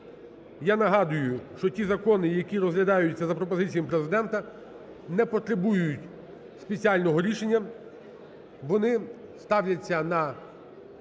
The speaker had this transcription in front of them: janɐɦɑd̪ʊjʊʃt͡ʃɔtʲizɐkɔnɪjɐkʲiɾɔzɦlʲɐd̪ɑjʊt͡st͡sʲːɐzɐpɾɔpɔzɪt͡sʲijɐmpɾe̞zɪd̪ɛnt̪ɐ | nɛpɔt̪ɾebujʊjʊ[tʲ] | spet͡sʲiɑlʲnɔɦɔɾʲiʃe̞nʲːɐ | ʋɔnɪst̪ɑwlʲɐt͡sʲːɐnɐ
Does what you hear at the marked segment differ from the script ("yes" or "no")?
no